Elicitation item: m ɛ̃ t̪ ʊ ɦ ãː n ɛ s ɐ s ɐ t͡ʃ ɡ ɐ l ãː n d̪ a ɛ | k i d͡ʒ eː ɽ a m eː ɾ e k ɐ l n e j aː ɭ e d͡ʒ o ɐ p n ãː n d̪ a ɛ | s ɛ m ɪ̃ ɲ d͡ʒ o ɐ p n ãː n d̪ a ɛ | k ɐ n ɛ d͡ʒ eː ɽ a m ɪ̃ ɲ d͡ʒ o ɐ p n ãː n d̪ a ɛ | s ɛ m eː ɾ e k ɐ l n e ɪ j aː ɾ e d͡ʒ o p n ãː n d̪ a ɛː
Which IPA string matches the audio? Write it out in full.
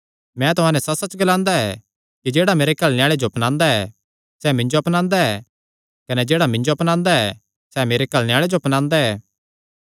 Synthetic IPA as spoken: m ɛ̃ t̪ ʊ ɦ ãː n ɛ s ɐ s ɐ t͡ʃ ɡ ɐ l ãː n d̪ a ɛ | k i d͡ʒ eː ɽ a m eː ɾ e k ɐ l n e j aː ɭ e d͡ʒ o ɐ p n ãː n d̪ a ɛ | s ɛ m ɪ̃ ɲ d͡ʒ o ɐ p n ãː n d̪ a ɛ | k ɐ n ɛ d͡ʒ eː ɽ a m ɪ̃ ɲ d͡ʒ o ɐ p n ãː n d̪ a ɛ | s ɛ m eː ɾ e k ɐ l n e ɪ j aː ɭ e d͡ʒ o p n ãː n d̪ a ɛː